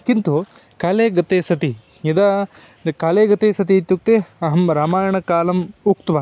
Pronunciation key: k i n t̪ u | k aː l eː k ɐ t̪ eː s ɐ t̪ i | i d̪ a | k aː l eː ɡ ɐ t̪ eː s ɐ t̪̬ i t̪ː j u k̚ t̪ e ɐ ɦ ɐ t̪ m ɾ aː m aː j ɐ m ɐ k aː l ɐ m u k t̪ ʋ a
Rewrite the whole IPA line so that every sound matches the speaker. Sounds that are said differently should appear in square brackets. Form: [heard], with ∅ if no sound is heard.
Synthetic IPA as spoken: k i n t̪ u | k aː l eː [ɡ] ɐ t̪ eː s ɐ t̪ i | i d̪ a | k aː l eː ɡ ɐ t̪ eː s ɐ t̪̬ i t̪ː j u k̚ t̪ e ɐ ɦ ɐ [∅] m ɾ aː m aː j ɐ [ɳ] ɐ k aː l ɐ m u k t̪ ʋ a